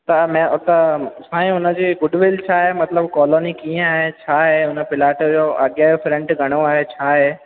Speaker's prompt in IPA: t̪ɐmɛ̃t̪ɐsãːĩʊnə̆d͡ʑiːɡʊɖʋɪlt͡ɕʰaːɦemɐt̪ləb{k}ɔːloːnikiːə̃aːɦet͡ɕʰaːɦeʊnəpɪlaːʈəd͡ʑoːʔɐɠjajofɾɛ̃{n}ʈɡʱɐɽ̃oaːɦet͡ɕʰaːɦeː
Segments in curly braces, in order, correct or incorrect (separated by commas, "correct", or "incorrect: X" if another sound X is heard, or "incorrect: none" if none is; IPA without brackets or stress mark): correct, incorrect: ɳ